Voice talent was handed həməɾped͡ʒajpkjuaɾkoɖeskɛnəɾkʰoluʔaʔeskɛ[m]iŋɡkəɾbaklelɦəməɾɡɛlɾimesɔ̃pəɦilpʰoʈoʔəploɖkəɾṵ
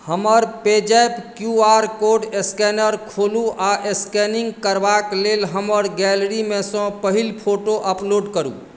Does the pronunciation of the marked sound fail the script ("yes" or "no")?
yes